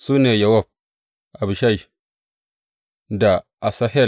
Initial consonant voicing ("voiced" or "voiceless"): voiceless